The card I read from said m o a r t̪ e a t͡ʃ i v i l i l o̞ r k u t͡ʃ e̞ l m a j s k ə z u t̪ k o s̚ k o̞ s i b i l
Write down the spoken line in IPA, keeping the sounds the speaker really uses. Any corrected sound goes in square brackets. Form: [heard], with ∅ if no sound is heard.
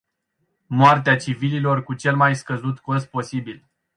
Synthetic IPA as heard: m o a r t̪ e a t͡ʃ i v i l i l o̞ r k u t͡ʃ e̞ l m a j s k ə z u t̪ k o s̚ [p] o̞ s i b i l